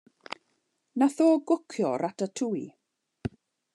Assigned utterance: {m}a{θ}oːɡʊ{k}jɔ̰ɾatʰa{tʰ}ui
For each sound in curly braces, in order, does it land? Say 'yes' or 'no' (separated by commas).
no, yes, no, yes